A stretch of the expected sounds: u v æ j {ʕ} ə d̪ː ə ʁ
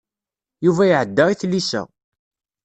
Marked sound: correct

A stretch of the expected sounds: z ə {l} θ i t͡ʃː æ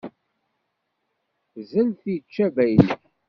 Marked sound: correct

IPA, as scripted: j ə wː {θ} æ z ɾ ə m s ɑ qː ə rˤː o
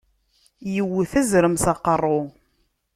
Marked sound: correct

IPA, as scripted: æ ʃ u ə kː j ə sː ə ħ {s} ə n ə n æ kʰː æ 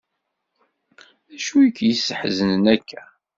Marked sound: incorrect: z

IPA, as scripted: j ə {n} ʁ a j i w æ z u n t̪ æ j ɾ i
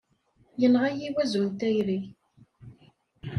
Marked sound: correct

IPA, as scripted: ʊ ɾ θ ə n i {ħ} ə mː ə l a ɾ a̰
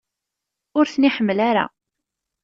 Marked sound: correct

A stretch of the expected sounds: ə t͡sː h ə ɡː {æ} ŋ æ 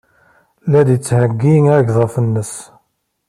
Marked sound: incorrect: i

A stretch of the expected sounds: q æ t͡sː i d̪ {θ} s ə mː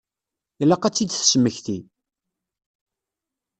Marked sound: correct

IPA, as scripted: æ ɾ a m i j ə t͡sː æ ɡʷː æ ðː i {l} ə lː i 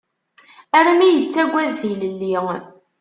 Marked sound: correct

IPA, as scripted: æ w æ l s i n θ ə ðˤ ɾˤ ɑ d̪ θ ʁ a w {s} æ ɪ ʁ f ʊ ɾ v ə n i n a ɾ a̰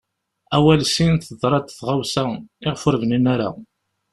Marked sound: correct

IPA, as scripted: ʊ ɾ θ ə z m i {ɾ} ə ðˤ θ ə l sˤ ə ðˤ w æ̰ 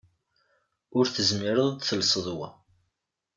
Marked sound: correct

